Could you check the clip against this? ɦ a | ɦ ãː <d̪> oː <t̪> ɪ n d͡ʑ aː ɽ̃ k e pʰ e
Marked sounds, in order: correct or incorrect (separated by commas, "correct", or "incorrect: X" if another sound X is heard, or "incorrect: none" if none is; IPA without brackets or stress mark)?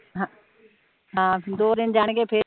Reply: correct, incorrect: d̪